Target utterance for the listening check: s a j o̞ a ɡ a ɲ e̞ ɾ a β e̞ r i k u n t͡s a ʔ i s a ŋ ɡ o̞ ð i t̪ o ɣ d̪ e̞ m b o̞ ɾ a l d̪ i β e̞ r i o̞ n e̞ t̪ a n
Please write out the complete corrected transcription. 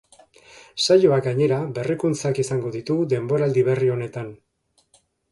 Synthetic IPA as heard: s a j o̞ a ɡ a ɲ e̞ ɾ a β e̞ r i k u n t͡s a k i s a ŋ ɡ o̞ ð i t̪ u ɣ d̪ e̞ m b o̞ ɾ a l d̪ i β e̞ r i o̞ n e̞ t̪ a n